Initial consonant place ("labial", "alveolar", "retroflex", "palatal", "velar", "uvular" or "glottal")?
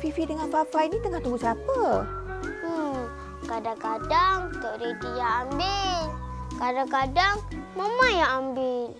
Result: labial